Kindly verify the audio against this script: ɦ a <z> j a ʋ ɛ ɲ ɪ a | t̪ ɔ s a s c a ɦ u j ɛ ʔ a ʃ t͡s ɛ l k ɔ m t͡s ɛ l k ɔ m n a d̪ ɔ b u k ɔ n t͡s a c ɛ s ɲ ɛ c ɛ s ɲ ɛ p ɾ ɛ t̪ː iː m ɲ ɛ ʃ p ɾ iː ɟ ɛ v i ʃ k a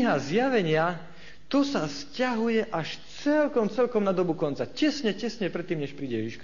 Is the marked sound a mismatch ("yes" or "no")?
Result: no